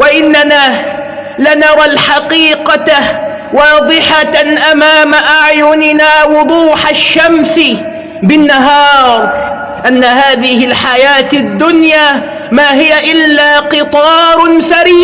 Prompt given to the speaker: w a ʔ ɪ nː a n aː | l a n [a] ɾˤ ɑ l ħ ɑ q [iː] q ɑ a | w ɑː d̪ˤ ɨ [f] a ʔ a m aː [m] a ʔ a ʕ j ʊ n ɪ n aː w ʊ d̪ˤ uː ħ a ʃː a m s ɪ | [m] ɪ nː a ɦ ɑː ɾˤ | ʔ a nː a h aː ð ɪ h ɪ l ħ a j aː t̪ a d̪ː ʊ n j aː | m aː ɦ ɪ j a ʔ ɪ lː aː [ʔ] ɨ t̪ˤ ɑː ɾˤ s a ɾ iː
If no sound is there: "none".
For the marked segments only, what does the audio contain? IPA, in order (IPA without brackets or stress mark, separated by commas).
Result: ɑ, iː, ħ, m, b, q